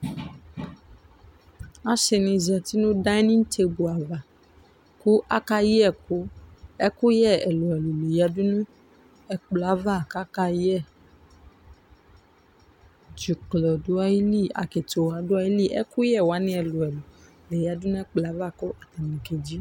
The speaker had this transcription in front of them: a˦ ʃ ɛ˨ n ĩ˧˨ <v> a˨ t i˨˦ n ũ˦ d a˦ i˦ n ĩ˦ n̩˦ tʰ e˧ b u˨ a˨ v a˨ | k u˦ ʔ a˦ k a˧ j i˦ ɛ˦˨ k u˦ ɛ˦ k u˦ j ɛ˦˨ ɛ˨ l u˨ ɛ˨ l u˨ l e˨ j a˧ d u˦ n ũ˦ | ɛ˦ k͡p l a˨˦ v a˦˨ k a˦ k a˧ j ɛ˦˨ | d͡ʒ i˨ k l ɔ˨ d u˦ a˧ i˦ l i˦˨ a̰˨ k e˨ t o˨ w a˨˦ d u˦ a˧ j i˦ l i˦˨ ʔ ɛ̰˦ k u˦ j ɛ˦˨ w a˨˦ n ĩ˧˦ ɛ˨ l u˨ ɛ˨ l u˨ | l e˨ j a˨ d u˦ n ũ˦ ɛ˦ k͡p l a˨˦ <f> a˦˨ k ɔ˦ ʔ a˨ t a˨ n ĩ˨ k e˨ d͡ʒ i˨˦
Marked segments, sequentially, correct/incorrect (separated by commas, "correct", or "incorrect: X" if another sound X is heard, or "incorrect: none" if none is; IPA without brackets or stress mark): incorrect: z, incorrect: v